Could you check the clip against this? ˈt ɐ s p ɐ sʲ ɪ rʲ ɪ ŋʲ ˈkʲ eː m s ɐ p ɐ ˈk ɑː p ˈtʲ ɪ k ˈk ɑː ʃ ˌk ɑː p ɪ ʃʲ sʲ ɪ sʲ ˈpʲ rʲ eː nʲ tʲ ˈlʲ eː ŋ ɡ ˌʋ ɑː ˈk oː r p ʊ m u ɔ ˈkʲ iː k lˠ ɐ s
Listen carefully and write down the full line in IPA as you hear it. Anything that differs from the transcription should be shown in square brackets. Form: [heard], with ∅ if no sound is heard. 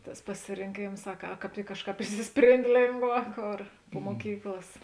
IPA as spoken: ˈt ɐ s p ɐ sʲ ɪ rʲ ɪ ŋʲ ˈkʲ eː m s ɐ [k] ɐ ˈk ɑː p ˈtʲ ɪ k ˈk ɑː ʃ ˌk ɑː p ɪ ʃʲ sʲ ɪ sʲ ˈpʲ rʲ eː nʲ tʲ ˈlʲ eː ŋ ɡ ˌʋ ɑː ˈk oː r p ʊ m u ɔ ˈkʲ iː k lˠ ɐ s